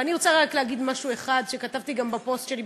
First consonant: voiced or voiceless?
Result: voiced